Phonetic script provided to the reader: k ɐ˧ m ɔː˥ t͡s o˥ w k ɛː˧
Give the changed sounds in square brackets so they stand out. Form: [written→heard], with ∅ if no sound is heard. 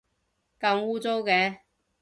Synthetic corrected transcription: k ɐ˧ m [ɔː˥→uː˥] t͡s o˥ w k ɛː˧